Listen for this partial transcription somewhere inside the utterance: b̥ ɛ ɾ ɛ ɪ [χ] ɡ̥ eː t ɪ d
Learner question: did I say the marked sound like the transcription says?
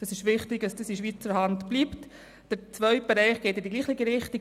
yes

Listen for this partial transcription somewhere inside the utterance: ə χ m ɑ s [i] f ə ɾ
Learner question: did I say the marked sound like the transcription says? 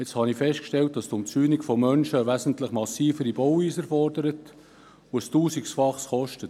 no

